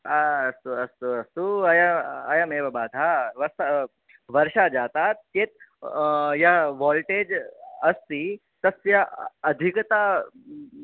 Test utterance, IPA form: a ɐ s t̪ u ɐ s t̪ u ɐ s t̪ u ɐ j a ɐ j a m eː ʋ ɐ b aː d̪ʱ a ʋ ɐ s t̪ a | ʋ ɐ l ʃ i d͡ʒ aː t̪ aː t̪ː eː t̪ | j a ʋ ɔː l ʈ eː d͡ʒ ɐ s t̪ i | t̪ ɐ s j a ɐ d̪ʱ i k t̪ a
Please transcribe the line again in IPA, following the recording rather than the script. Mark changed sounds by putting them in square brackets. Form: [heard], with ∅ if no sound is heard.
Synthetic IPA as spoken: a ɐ s t̪ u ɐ s t̪ u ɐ s t̪ u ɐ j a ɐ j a m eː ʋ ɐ b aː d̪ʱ a ʋ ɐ s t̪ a | ʋ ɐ [ɾ] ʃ [a] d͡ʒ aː t̪ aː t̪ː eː t̪ | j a ʋ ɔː l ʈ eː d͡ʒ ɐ s t̪ i | t̪ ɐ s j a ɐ d̪ʱ i k t̪ a